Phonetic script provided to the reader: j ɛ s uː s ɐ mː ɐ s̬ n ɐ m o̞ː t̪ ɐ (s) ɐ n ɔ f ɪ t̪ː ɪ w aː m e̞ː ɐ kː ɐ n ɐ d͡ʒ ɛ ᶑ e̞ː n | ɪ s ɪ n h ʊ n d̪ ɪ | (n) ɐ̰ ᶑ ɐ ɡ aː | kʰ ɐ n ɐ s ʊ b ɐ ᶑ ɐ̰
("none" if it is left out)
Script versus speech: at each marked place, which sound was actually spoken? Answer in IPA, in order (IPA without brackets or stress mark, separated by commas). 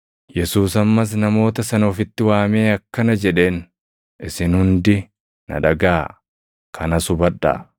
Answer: s, n